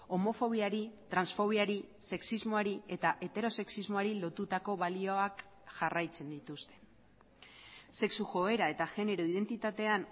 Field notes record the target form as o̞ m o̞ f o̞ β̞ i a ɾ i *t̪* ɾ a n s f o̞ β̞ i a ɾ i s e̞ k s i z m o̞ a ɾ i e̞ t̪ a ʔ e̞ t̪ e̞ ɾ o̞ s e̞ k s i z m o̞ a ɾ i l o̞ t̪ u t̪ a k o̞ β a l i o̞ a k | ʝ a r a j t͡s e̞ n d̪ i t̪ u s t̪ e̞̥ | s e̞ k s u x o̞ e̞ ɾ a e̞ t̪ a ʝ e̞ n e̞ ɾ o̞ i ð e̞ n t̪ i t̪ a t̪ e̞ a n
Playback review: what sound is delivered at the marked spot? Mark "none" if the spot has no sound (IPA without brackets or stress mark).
t̪